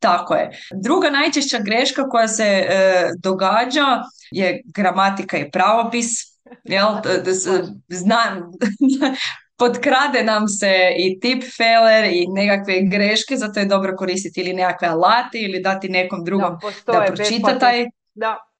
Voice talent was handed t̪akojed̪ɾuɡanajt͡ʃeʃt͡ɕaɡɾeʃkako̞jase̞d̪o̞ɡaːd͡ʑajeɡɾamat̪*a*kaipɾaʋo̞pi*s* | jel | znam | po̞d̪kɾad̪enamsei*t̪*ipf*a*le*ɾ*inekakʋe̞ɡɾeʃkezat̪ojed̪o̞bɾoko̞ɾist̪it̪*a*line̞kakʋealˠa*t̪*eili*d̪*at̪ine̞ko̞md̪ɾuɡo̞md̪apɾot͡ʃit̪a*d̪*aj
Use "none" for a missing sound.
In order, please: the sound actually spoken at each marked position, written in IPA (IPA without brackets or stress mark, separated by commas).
i, s, t̪, e, ɾ, i, t̪, d̪, t̪